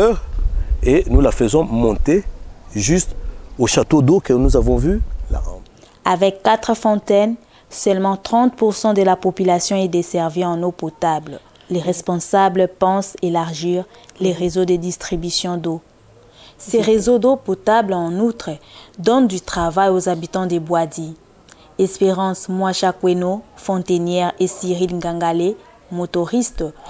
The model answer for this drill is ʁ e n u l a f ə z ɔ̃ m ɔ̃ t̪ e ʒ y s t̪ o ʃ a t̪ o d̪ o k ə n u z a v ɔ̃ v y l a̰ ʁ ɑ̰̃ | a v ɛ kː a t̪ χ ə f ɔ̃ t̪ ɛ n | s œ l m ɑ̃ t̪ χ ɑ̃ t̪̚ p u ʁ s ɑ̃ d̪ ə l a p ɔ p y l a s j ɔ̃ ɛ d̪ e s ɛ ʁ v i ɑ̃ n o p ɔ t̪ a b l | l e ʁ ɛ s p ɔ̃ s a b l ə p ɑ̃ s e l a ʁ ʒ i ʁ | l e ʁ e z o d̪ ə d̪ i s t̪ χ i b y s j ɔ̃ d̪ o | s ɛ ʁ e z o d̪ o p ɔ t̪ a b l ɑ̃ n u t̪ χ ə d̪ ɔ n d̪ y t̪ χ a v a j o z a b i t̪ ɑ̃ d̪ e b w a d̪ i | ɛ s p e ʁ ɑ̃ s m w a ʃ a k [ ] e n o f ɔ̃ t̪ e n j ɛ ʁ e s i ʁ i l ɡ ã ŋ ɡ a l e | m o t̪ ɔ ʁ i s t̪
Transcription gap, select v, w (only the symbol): w